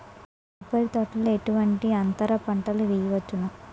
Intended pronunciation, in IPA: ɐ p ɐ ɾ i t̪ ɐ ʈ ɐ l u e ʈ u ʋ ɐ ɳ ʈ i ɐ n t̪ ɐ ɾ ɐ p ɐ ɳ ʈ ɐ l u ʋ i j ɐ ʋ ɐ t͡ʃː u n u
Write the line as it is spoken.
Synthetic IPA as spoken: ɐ p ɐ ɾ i t̪ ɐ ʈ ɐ l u e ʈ u ʋ ɐ ɳ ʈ i ɐ n t̪ ɐ ɾ ɐ p ɐ ɳ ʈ ɐ l u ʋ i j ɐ ʋ ɐ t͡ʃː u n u